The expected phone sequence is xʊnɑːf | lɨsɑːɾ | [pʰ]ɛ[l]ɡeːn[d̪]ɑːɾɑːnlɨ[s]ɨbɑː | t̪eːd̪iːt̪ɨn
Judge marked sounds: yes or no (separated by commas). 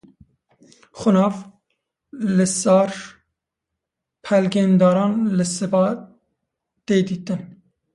yes, yes, yes, yes